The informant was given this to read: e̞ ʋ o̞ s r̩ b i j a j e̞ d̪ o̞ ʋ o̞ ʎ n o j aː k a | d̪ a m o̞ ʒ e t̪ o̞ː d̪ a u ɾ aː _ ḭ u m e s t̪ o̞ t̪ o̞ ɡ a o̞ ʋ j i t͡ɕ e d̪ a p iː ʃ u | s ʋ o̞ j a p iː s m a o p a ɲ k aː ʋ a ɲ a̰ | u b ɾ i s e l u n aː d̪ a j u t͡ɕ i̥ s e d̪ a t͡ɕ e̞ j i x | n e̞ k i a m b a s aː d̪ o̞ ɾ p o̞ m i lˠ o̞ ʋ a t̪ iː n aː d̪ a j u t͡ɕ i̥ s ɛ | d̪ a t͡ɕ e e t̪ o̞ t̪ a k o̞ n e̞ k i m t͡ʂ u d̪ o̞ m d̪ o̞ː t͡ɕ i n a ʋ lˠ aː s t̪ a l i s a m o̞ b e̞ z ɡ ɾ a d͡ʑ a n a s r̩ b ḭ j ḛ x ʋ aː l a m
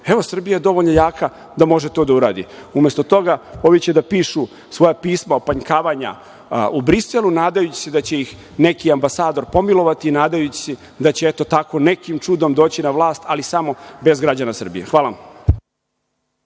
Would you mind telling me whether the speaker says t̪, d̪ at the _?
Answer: d̪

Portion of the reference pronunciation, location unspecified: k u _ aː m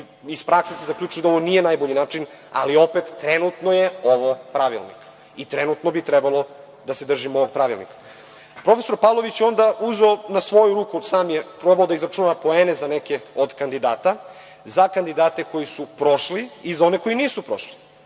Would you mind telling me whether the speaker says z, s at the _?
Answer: s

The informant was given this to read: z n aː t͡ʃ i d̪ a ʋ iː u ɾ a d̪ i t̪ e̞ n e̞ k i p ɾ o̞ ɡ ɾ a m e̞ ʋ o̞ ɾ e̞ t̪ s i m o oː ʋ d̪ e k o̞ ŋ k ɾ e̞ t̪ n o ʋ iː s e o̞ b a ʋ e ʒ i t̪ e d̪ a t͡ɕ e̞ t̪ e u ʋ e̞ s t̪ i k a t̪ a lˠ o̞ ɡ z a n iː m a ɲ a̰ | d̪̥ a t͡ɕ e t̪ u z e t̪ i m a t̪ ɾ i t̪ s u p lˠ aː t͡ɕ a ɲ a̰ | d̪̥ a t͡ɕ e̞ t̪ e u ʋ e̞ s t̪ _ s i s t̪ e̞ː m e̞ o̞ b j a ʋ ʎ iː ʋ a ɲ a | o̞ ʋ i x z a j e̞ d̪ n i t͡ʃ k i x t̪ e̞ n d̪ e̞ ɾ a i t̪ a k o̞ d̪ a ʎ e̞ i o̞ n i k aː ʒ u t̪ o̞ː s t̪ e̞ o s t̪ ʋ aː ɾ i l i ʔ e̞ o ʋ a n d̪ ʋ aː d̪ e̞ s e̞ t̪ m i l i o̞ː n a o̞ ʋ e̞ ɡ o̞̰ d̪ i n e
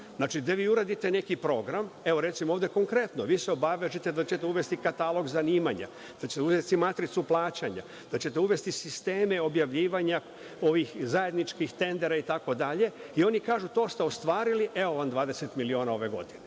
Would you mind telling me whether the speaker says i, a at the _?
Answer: i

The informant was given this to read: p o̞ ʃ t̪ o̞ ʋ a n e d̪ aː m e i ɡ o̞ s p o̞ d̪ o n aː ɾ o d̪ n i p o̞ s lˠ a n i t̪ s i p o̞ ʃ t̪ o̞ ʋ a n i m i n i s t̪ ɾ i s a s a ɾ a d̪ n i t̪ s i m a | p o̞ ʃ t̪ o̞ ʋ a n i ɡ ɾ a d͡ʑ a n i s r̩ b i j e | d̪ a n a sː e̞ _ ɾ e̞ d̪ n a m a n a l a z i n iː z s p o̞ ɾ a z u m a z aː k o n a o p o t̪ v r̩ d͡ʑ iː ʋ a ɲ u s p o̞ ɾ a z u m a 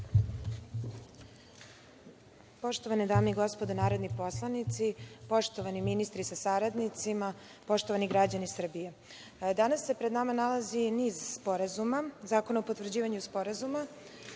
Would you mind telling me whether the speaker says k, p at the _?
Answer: p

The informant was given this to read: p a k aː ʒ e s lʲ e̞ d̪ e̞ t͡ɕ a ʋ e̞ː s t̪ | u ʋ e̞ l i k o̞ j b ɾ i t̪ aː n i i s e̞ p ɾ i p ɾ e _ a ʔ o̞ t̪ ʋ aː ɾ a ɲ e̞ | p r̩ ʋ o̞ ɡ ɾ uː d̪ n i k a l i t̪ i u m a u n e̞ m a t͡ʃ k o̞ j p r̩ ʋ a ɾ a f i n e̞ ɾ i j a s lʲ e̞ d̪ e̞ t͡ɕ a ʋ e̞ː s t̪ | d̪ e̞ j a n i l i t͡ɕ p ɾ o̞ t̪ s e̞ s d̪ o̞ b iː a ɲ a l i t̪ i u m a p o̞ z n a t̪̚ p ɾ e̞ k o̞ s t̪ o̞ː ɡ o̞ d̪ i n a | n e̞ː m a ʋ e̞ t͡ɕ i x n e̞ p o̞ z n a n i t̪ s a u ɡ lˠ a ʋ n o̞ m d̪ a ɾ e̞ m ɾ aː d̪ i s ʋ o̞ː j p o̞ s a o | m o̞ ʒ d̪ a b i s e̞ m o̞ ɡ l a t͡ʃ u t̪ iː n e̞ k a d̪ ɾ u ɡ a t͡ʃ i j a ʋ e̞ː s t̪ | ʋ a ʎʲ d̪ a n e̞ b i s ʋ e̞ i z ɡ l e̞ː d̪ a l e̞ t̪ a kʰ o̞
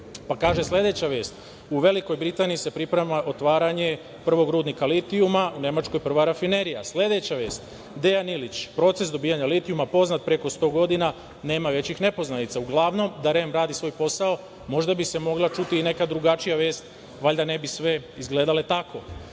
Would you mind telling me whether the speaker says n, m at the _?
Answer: m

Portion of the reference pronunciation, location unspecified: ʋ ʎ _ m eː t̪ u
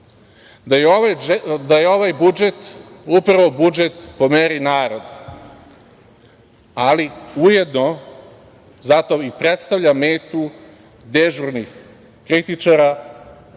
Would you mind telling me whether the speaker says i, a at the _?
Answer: a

